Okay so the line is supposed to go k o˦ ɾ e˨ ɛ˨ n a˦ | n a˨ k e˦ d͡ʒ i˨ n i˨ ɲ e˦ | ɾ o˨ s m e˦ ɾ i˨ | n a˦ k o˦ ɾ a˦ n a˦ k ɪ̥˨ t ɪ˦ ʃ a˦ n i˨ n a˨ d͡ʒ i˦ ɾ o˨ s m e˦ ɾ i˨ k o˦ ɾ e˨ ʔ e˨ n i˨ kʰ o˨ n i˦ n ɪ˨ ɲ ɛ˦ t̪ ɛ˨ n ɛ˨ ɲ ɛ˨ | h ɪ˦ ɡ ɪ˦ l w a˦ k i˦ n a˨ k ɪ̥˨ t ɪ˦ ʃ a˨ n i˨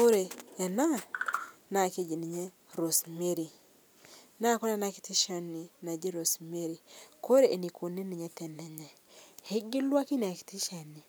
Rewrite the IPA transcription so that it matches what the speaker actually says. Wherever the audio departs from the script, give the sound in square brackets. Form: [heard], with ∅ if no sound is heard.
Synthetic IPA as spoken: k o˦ ɾ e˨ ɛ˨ n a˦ | n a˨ k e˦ d͡ʒ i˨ n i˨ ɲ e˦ | ɾ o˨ s m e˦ ɾ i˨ | n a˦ k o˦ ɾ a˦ n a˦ k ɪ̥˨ t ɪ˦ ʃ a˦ n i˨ n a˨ d͡ʒ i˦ ɾ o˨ s m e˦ ɾ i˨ k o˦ ɾ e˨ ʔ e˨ n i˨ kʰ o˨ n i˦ n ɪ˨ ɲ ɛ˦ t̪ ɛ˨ n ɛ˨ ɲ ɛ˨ | h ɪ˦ ɡ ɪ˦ l w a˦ k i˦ n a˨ k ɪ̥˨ t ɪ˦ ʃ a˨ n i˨